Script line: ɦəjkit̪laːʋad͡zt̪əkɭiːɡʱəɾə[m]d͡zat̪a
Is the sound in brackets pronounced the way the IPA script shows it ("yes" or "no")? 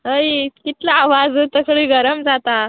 yes